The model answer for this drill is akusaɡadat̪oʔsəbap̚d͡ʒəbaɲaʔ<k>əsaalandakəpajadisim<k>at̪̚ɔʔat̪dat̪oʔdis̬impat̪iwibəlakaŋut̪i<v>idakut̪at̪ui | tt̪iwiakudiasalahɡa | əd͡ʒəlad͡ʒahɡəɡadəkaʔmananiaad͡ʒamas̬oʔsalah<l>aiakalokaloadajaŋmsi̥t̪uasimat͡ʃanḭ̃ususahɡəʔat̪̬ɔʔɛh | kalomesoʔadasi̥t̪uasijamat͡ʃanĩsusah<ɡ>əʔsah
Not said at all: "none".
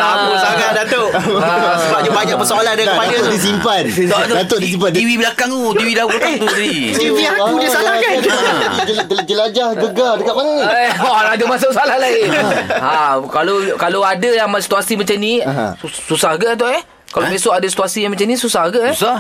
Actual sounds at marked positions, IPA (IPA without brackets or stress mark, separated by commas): p, p, w, l, ɡ